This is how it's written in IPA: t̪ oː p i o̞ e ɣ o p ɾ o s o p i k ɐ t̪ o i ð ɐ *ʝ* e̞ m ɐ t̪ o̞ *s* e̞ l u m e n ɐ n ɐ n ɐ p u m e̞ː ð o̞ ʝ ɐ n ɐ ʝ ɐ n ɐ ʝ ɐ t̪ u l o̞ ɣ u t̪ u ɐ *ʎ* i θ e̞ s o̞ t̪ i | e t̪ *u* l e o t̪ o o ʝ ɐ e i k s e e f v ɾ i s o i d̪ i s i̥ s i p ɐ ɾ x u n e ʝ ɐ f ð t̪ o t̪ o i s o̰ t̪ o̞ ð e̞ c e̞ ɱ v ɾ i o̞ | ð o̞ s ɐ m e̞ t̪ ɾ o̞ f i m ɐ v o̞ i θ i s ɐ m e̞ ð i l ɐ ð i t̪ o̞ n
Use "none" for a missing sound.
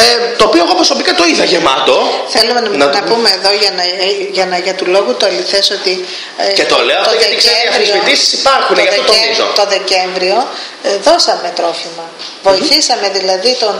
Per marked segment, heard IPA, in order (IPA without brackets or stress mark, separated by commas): ʝ, θ, l, o